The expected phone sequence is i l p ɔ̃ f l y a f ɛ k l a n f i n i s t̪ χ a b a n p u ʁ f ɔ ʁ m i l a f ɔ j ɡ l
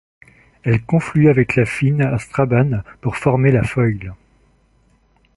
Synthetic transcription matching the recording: ɛ l k ɔ̃ f l y a v ɛ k l a f i n a s t̪ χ a b a n p u ʁ f ɔ ʁ m e l a f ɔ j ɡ l